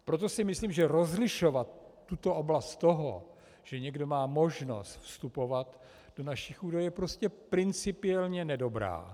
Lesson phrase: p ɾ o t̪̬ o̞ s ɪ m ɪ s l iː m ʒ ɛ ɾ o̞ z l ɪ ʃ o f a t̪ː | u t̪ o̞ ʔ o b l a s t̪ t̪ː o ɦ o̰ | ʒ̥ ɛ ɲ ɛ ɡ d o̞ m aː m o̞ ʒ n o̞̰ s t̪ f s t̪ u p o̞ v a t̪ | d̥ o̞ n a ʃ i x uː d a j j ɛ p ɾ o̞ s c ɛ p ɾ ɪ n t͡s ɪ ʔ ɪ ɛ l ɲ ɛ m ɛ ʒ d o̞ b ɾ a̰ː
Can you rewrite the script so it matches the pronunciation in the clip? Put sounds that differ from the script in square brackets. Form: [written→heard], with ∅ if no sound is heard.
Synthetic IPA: p ɾ o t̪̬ o̞ s ɪ m ɪ s l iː m ʒ ɛ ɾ o̞ z l ɪ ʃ o [f→v] a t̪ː | u t̪ o̞ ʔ o b l a s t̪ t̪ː o ɦ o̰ | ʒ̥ ɛ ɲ ɛ ɡ d o̞ m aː m o̞ ʒ n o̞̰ s t̪ f s t̪ u p o̞ v a t̪ | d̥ o̞ n a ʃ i x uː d a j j ɛ p ɾ o̞ s c ɛ p ɾ ɪ n t͡s ɪ [ʔ→p] ɪ ɛ l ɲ ɛ [m→n] ɛ [ʒ→∅] d o̞ b ɾ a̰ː